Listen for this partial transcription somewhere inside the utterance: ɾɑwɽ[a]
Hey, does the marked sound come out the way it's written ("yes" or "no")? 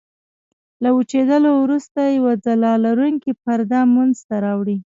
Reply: no